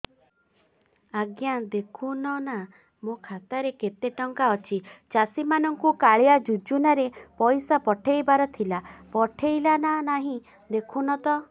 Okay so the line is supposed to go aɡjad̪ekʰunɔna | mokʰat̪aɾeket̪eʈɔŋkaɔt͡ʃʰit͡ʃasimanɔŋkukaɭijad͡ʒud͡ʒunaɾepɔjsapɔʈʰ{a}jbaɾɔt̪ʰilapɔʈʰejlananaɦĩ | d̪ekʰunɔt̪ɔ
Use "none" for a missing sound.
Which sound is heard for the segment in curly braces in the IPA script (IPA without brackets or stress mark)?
e